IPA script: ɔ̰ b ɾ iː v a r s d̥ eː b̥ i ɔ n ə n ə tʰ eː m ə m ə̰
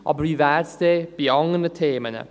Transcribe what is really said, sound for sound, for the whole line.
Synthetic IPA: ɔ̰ b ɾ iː v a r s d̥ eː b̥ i ɔ ŋ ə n ə tʰ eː m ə n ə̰

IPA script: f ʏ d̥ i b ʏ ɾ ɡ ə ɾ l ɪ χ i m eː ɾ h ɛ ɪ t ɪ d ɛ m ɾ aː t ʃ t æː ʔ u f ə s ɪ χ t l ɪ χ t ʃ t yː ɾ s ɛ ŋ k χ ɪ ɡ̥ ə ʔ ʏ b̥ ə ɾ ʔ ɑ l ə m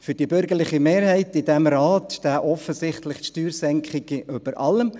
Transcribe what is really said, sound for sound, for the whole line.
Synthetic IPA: f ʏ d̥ i b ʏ ɾ ɡ ə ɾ l ɪ χ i m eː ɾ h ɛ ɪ t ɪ d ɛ m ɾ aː t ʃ t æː ʔ ɔ f ə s ɪ χ t l ɪ χ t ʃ t yː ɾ s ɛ ŋ k χ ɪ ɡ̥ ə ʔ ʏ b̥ ə ɾ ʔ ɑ l ə m

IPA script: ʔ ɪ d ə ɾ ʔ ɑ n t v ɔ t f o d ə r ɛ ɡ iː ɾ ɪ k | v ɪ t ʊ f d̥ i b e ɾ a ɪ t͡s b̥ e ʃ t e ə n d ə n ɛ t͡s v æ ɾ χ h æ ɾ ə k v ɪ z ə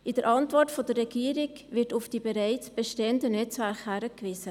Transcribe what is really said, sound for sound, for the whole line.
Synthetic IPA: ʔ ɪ d ə ɾ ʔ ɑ n t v ɔ t f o d ə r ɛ ɡ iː ɾ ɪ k | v ɪ t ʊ f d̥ i b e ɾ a ɪ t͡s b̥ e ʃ t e ə n d ə n ɛ t͡s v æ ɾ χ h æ ɾ ə k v ɪ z ə

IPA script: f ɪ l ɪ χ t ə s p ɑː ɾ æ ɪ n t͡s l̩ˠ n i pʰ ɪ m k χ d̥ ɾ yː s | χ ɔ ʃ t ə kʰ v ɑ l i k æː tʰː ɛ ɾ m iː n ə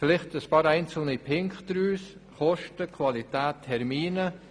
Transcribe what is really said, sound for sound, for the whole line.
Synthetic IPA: f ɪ l ɪ χ t ə s p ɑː ɾ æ ɪ n t͡s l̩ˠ n i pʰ ɪ ŋ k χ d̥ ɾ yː s | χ ɔ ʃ t ə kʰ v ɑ l i t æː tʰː ɛ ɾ m iː n ə

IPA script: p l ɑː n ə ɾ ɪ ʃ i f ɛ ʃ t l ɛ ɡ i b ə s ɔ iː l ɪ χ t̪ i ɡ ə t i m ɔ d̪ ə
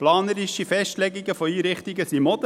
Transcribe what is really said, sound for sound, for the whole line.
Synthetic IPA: p l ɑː n ə ɾ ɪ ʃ i f ɛ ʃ t l ɛ ɡ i ɡ ə f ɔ iː ɾ ɪ χ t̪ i ɡ ə s i m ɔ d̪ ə

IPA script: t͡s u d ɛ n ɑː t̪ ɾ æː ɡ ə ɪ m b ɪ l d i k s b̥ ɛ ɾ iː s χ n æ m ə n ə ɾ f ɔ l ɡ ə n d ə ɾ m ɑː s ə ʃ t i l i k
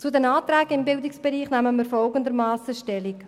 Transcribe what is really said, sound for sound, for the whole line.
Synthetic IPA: t͡s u d ɛ n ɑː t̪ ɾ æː ɡ ə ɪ m b ɪ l d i k s b̥ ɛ ɾ iː χ n æ m ə m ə ɾ f ɔ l ɡ ə n d ə ɾ m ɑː s ə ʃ t ɛ l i k

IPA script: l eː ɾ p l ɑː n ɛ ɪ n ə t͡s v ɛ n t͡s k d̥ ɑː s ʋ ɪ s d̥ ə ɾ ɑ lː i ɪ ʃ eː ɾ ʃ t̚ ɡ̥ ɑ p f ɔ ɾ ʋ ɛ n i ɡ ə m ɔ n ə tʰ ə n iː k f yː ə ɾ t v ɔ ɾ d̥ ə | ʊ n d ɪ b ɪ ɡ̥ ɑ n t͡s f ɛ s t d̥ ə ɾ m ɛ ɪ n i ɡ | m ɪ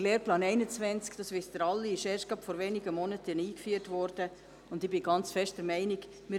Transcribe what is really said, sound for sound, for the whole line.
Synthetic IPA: l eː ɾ p l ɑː n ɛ ɪ n ə t͡s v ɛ n t͡s k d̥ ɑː s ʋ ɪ s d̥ ə ɾ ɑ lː i ɪ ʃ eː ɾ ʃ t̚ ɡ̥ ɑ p f ɔ ɾ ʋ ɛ n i ɡ ə m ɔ n ə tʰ ə n iː k f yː ə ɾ t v ɔ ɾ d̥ ə | ʊ n d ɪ b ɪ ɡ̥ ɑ n t͡s f ɛ ʃ t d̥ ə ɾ m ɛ ɪ n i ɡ | m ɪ

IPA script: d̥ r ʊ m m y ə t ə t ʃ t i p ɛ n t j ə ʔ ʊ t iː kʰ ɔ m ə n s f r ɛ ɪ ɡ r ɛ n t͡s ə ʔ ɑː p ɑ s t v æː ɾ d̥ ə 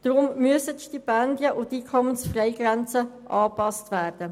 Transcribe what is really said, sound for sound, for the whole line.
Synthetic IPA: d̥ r ʊ m m y ə s ə t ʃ t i p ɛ n d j ə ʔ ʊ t iː kʰ ɔ m ə n s f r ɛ ɪ ɡ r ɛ n t͡s ə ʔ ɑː p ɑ s t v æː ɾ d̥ ə

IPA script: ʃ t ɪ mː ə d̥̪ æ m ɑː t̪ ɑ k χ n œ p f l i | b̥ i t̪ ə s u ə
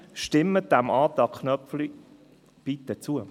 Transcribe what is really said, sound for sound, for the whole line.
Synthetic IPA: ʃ t ɪ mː ə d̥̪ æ m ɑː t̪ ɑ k χ n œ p f l i | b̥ i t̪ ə t͡s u ə

